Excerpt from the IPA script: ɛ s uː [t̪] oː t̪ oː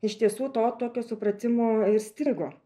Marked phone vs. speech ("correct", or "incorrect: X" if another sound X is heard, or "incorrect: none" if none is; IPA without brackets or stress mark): correct